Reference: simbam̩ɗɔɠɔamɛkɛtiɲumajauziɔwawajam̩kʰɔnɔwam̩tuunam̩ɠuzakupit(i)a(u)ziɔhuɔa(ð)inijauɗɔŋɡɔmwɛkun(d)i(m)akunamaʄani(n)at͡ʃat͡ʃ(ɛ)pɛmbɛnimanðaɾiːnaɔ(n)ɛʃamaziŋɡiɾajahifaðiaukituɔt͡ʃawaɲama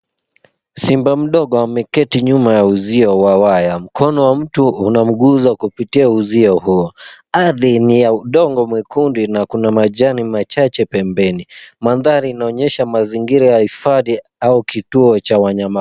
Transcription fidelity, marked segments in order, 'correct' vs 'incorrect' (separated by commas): correct, correct, correct, correct, incorrect, incorrect, correct, incorrect